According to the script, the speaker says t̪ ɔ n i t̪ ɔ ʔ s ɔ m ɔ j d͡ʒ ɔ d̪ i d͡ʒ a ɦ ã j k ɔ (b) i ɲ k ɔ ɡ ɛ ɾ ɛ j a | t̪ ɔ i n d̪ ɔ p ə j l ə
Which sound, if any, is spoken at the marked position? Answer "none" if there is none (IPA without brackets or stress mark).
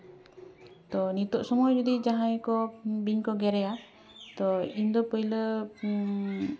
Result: b